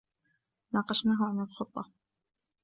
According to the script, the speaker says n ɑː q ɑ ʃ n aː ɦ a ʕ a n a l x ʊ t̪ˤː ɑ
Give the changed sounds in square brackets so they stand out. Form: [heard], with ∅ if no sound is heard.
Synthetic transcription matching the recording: n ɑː q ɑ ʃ n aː ɦ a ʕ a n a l x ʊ t̪ˤː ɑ